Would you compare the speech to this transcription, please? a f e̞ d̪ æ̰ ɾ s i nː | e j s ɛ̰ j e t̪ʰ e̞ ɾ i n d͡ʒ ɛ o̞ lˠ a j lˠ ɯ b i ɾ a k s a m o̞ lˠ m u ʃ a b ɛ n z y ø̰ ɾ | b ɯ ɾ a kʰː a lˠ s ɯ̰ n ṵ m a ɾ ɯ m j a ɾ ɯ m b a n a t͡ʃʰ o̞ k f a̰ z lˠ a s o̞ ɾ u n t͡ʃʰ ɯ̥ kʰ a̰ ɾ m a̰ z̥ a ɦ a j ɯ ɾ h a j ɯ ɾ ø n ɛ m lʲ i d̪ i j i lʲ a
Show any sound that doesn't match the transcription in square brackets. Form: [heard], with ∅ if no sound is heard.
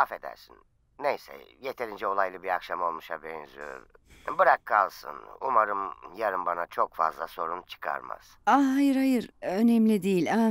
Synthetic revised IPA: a f e̞ d̪ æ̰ ɾ s i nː | e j s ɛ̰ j e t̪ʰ e̞ ɾ i n d͡ʒ ɛ o̞ lˠ a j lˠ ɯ b i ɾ a k [ʃ] a m o̞ lˠ m u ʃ a b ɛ n z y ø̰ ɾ | b ɯ ɾ a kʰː a lˠ s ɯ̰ n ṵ m a ɾ ɯ m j a ɾ ɯ m b a n a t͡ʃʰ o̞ k f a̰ z lˠ a s o̞ ɾ u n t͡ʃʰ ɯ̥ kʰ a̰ ɾ m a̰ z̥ a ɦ a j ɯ ɾ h a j ɯ ɾ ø n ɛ m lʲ i d̪ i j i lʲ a